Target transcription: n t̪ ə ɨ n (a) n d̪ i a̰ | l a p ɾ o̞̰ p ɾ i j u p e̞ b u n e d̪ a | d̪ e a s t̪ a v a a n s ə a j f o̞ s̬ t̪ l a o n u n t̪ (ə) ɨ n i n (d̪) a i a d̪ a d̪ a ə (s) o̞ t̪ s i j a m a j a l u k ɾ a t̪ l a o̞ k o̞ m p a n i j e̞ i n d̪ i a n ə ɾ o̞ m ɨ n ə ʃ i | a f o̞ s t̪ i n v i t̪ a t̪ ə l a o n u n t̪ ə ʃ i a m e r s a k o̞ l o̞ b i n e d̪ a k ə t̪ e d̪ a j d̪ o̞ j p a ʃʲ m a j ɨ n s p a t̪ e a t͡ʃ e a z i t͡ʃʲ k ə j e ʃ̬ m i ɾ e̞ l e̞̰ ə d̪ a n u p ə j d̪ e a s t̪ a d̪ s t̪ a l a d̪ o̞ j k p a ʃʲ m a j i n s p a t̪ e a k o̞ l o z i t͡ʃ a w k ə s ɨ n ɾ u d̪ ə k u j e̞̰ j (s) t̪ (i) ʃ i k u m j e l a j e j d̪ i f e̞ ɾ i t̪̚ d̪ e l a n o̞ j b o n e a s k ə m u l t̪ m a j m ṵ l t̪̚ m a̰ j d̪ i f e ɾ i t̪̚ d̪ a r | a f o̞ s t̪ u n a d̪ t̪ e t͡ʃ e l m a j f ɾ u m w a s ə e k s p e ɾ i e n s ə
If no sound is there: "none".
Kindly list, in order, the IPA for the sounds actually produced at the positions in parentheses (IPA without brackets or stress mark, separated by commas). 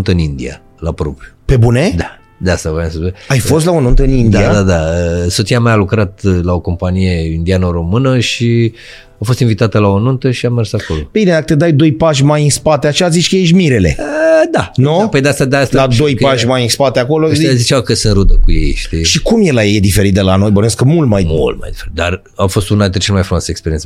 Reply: i, ə, d̪, s, ʃ, i